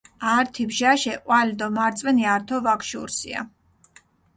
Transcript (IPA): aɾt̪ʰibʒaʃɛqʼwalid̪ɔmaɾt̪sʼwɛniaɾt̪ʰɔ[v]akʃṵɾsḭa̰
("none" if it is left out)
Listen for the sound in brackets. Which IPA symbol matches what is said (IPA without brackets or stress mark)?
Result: v